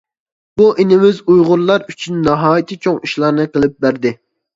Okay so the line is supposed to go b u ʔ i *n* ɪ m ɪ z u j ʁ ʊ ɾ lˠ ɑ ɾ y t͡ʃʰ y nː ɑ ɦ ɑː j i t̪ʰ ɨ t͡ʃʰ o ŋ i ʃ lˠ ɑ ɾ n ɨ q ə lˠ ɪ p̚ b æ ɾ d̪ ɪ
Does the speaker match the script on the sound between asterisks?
yes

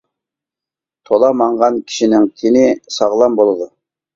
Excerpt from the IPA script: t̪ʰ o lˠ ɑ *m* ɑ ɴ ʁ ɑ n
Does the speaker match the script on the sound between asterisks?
yes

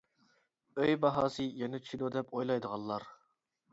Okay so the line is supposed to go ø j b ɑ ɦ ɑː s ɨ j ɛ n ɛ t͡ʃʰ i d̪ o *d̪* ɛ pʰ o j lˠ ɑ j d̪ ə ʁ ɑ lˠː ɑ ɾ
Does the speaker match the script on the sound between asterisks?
yes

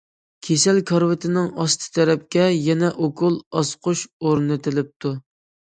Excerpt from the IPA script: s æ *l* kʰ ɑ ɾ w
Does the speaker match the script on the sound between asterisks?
yes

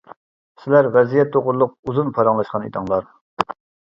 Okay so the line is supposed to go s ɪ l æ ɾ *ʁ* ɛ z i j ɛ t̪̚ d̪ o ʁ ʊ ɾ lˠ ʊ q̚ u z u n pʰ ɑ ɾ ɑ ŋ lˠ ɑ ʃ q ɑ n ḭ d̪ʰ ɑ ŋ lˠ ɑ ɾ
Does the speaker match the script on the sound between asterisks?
yes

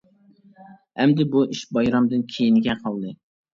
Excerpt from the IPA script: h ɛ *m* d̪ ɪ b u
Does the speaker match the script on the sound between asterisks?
yes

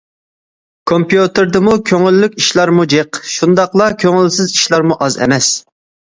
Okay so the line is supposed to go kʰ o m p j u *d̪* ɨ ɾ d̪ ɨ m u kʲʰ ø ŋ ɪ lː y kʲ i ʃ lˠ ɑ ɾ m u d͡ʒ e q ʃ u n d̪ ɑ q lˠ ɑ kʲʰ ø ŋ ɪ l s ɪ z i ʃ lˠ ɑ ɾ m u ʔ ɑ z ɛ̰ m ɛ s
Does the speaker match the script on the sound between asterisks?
no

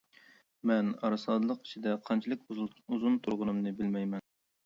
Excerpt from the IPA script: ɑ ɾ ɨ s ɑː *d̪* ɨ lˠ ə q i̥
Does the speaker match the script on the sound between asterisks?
yes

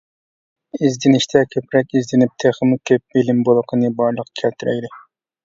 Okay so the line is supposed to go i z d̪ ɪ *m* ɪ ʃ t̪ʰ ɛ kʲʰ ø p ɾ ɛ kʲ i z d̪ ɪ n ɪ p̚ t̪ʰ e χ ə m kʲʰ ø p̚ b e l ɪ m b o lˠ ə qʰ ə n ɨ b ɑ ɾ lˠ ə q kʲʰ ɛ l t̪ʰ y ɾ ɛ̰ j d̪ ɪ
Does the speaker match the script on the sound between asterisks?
no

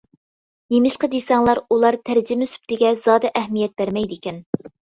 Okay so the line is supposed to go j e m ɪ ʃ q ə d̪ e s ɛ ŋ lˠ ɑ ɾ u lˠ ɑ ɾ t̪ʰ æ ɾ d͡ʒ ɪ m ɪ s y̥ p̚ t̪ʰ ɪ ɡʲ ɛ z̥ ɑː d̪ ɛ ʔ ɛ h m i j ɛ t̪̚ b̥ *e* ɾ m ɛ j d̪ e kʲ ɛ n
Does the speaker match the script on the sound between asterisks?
no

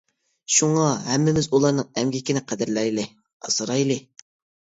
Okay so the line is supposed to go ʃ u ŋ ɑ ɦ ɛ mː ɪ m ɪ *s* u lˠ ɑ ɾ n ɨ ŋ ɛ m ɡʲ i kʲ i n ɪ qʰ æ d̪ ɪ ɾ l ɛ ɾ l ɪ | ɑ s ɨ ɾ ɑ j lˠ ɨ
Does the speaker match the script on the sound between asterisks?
no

